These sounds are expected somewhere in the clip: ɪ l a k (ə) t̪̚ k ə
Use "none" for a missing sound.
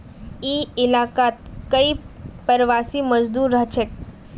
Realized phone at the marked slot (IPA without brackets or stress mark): a